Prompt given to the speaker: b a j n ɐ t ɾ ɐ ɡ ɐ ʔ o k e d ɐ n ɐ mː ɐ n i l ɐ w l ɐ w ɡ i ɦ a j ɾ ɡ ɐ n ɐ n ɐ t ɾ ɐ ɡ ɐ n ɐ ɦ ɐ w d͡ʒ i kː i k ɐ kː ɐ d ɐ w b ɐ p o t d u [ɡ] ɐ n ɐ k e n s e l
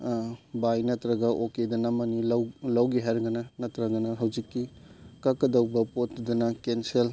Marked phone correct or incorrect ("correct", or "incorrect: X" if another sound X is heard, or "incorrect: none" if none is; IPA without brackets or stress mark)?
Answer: incorrect: d